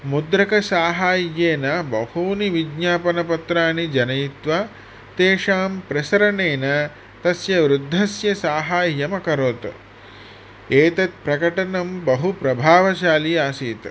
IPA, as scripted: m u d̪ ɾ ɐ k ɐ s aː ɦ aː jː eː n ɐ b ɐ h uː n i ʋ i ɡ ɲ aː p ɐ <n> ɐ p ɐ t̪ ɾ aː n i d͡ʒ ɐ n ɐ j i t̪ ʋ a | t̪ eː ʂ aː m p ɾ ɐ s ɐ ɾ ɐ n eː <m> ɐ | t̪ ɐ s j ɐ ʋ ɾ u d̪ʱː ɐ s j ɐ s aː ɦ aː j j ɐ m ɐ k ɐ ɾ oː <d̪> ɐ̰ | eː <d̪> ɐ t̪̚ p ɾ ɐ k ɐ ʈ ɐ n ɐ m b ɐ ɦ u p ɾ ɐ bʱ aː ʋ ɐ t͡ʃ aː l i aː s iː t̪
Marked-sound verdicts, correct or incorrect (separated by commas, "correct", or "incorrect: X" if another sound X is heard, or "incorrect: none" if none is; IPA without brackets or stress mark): correct, incorrect: n, incorrect: t̪, incorrect: t̪